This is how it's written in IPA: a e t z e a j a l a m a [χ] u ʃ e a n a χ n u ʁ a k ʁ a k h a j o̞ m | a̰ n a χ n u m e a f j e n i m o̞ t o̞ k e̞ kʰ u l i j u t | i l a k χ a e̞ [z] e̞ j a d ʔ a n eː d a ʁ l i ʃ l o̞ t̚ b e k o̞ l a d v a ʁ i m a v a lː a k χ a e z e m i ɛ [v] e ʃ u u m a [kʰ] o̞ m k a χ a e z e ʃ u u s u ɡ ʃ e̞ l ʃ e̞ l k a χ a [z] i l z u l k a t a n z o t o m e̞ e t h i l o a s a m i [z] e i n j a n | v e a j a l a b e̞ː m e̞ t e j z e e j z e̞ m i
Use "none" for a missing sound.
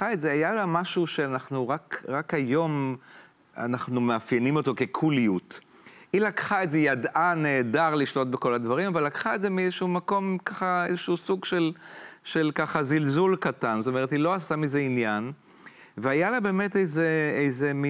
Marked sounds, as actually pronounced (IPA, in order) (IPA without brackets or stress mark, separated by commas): ʃ, z, z, k, z, z